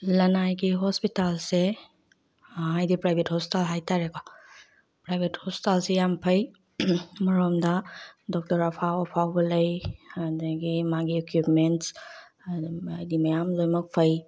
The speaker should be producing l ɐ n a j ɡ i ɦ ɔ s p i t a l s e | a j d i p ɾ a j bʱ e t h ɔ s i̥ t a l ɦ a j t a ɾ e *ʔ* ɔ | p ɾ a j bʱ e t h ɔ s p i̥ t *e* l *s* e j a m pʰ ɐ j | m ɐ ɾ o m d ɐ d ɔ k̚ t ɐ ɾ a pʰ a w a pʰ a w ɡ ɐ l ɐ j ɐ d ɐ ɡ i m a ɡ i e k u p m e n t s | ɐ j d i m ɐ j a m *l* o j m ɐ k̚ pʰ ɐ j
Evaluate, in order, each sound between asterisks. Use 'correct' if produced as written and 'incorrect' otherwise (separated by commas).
incorrect, incorrect, correct, correct